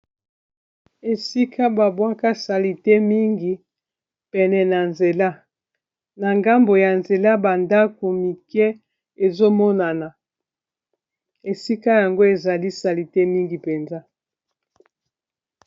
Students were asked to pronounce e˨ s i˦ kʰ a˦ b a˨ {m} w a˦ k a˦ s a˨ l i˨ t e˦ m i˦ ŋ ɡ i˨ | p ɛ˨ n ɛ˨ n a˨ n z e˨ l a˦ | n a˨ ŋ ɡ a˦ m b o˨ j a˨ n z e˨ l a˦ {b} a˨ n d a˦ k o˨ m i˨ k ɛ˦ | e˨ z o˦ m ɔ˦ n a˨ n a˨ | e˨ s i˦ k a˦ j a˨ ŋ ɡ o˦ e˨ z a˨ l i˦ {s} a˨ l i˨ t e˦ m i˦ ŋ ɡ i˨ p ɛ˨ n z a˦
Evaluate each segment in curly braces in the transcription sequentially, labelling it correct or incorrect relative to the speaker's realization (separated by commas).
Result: incorrect, correct, correct